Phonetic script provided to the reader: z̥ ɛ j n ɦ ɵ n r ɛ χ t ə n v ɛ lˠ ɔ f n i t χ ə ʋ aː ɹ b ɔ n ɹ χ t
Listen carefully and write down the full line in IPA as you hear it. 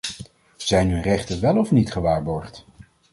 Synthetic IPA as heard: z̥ ɛ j n ɦ ɵ n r ɛ χ t ə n ʋ ɛ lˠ ɔ f n i t χ ə ʋ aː ɹ b ɔ ɹ χ t